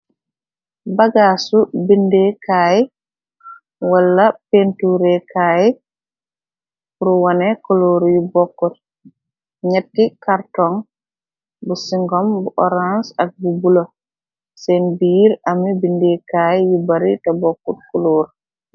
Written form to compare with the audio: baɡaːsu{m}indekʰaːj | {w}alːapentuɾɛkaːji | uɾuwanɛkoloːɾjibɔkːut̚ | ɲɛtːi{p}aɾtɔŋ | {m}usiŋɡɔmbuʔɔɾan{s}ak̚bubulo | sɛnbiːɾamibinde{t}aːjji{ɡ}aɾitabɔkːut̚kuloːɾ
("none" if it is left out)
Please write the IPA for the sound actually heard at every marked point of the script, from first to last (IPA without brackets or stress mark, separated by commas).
b, w, k, b, s, k, b